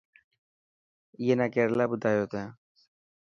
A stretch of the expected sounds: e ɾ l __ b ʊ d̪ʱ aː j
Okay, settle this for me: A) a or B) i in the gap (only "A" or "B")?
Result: A